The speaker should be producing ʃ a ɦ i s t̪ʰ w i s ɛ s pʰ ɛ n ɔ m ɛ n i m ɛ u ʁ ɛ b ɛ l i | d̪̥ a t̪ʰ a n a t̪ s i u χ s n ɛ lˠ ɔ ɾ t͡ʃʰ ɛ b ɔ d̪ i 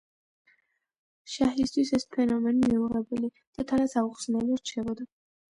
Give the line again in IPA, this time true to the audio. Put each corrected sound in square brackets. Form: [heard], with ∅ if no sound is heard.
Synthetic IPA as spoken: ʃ a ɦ i s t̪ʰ w i s ɛ s pʰ ɛ n ɔ m ɛ n i m [i] u ʁ ɛ b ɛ l i | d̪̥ a t̪ʰ a n a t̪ s [a] u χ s n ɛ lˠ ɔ ɾ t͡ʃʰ ɛ b ɔ d̪ [a]

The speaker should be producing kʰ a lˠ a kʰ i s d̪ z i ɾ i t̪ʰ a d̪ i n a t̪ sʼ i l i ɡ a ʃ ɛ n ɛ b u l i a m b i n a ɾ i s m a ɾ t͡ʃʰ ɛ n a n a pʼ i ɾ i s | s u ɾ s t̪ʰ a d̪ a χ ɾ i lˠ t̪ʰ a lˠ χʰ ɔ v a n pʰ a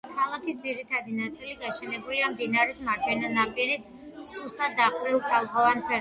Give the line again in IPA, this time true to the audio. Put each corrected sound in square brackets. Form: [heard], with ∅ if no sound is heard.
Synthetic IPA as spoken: kʰ a lˠ a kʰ i s d̪ z i ɾ i t̪ʰ a d̪ i n a t̪ sʼ i l i ɡ a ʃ ɛ n ɛ b u l i a m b i n a ɾ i s m a ɾ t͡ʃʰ ɛ n a n a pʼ i ɾ i s | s u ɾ s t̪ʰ a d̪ a χ ɾ i lˠ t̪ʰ a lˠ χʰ ɔ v a n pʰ [ɛ]

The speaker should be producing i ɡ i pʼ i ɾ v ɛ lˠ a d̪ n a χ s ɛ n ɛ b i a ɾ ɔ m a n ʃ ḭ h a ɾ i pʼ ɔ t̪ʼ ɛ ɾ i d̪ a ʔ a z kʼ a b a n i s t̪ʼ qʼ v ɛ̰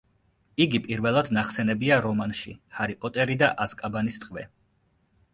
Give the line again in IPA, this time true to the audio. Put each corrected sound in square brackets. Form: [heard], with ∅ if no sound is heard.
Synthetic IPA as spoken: i ɡ i pʼ i ɾ v ɛ lˠ a d̪ n a χ s ɛ n ɛ b i a ɾ ɔ m a n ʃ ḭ h a ɾ i pʼ ɔ t̪ʼ ɛ ɾ i d̪ a ʔ a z kʼ a b a n i s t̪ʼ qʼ v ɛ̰

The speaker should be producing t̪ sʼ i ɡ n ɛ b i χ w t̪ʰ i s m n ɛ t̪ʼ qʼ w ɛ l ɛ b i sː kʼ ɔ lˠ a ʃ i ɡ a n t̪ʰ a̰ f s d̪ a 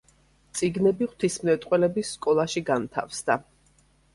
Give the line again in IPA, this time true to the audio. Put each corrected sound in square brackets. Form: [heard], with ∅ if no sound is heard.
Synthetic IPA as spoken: t̪ sʼ i ɡ n ɛ b i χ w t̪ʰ i s m n ɛ t̪ʼ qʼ w ɛ l ɛ b i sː kʼ ɔ lˠ a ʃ i ɡ a n t̪ʰ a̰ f s d̪ a

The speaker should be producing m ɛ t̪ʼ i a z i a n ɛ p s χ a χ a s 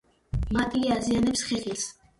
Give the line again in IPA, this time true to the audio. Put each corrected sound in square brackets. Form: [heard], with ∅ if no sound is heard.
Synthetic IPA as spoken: m [a] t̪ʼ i a z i a n ɛ p s χ [ɛ] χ [i] s

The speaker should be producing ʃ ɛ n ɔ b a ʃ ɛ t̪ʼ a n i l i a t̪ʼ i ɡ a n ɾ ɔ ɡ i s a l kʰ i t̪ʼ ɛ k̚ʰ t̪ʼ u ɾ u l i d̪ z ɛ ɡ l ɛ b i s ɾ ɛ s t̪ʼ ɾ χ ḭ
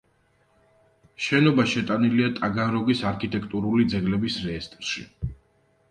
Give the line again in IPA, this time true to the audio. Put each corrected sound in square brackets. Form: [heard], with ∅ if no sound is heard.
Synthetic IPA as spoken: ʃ ɛ n ɔ b a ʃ ɛ t̪ʼ a n i l i a t̪ʼ [a] ɡ a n ɾ ɔ ɡ i s a [ɾ] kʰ i t̪ʼ ɛ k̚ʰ t̪ʼ u ɾ u l i d̪ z ɛ ɡ l ɛ b i s ɾ ɛ s t̪ʼ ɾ [ʃ] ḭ

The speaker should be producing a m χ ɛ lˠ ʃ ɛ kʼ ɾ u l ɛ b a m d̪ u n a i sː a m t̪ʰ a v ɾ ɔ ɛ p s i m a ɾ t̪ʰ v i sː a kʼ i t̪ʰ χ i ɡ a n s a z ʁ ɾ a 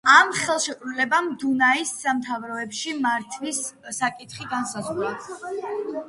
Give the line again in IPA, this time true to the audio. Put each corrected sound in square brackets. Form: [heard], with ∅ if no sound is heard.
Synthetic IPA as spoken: a m χ ɛ lˠ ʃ ɛ kʼ ɾ u l ɛ b a m d̪ u n a i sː a m t̪ʰ a v ɾ ɔ ɛ p [ʃ] i m a ɾ t̪ʰ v i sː a kʼ i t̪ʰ χ i ɡ a n s a z ʁ ɾ a

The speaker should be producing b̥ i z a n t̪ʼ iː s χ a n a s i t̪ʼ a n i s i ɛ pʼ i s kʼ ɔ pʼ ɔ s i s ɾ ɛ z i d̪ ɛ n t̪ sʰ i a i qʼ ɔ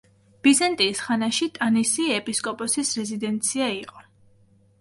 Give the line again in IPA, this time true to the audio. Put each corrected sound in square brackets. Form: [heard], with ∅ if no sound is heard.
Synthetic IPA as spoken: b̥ i z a n t̪ʼ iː s χ a n a [ʃ] i t̪ʼ a n i s i ɛ pʼ i s kʼ ɔ pʼ ɔ s i s ɾ ɛ z i d̪ ɛ n t̪ sʰ i a i qʼ ɔ

